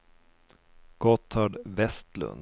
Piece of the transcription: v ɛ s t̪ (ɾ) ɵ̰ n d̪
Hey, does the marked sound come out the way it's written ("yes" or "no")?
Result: no